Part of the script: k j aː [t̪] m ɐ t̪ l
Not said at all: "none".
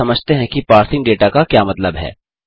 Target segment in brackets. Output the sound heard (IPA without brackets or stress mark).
none